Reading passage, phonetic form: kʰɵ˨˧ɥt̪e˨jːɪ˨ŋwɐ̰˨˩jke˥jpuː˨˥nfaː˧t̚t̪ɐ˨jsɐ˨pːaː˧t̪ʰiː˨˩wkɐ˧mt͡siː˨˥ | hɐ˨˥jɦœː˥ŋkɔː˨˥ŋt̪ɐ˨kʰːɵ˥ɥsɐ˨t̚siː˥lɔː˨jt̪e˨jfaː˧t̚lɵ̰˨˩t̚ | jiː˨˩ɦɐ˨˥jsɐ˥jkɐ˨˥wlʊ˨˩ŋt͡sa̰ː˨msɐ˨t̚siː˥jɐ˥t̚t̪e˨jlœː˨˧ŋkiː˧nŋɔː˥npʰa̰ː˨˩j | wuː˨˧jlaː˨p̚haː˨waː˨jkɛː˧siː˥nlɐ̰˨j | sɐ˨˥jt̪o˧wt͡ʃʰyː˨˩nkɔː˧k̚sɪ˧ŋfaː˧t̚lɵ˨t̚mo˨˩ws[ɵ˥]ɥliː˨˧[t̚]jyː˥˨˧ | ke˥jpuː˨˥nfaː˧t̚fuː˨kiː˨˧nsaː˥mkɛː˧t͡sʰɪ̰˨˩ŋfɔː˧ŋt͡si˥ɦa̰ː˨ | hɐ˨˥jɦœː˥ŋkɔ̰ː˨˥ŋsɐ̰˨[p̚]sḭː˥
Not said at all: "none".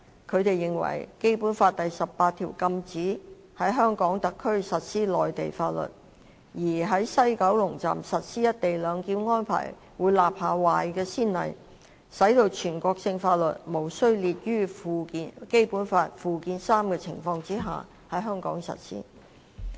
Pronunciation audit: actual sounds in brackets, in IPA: ɵ˥, t̚, t̚

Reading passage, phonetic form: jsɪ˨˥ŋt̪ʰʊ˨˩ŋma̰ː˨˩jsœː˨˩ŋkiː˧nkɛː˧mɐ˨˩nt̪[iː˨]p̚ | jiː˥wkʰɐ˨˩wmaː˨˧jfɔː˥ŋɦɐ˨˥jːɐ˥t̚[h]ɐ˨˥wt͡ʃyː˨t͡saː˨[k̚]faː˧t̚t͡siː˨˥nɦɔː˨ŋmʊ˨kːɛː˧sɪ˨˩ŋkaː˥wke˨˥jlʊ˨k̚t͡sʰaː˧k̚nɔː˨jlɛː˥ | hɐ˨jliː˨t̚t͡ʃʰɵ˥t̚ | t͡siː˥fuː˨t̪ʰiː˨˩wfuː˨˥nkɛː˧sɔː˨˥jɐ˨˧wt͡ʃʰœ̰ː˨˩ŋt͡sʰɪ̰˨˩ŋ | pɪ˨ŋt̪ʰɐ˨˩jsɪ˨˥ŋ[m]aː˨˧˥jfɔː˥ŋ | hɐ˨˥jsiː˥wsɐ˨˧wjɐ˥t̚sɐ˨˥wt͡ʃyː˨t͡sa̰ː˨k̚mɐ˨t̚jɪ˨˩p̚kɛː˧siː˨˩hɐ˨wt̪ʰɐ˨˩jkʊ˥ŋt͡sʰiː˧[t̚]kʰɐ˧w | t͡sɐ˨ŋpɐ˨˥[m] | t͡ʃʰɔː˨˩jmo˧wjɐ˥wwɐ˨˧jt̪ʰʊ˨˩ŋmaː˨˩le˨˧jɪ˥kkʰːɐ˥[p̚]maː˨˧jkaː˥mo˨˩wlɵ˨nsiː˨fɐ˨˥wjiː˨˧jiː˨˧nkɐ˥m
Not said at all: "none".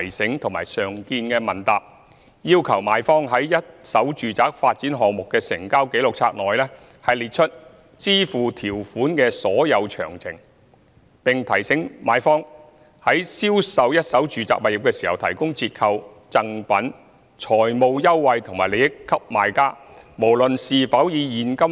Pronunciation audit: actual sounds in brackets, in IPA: aː˨, s, k̚, m, t̚, n, p̚

